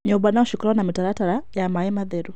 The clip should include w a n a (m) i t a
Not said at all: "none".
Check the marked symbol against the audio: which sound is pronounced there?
m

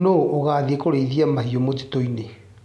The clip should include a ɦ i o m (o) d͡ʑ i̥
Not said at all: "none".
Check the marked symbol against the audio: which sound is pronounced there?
o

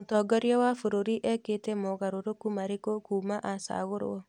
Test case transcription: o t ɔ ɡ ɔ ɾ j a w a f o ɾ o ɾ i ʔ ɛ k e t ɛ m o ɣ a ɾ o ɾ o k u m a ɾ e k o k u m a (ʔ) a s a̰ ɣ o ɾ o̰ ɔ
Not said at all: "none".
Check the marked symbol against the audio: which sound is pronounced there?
ʔ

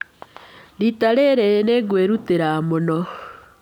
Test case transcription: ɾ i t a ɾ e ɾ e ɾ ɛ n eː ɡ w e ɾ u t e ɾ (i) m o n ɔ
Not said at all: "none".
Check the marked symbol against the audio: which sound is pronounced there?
a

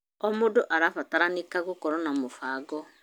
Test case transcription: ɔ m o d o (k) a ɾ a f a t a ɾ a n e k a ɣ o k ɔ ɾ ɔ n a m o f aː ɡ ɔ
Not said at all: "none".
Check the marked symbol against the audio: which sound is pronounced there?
ʔ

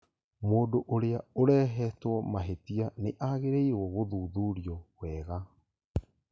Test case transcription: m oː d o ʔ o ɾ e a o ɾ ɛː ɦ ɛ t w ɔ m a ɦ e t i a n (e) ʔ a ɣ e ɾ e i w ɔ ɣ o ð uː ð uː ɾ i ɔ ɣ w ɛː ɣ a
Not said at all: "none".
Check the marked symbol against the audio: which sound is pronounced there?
e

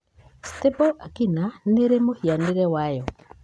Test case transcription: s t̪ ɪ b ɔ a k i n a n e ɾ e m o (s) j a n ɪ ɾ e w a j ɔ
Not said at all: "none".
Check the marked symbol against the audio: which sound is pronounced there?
h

